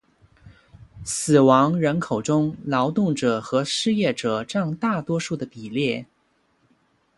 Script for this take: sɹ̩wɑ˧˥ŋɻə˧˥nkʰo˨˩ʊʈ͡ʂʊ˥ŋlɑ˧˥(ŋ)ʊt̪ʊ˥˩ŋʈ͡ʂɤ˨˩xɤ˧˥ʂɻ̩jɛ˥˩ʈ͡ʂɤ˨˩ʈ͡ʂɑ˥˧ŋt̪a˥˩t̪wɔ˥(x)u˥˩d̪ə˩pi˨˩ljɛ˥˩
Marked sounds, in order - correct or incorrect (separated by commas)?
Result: incorrect, incorrect